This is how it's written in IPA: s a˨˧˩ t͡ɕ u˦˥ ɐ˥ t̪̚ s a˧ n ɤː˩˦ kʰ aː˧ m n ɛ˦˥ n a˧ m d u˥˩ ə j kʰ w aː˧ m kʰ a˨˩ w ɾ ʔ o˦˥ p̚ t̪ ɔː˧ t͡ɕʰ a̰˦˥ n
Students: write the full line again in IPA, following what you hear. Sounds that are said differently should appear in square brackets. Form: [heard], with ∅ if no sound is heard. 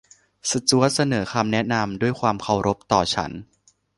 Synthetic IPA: s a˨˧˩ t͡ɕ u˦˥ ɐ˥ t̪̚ s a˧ n ɤː˩˦ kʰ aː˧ m n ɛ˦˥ n a˧ m d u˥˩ ə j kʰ w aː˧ m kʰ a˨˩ w ɾ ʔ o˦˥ p̚ t̪ [ɔː˨˩] t͡ɕʰ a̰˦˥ n